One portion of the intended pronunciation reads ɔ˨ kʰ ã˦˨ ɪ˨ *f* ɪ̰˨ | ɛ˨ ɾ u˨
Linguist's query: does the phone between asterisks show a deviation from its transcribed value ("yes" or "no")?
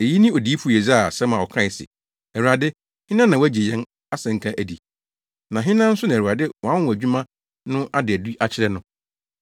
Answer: yes